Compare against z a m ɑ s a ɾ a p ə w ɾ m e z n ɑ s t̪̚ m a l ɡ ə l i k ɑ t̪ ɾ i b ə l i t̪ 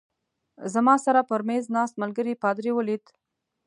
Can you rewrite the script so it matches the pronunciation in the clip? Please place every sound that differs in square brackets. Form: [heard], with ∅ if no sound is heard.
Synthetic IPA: z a m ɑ s a ɾ a p ə [∅] ɾ m e z n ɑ s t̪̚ m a l ɡ ə [ɾ] i [p] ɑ [d̪] ɾ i [w] ə l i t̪